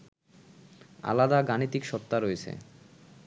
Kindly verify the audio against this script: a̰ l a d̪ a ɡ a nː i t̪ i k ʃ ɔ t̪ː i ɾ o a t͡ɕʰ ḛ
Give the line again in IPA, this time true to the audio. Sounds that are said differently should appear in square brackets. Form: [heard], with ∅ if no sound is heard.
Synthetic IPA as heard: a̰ l a d̪ a ɡ a [n] i t̪ i k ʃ ɔ t̪ː [a] ɾ o [e] t͡ɕʰ ḛ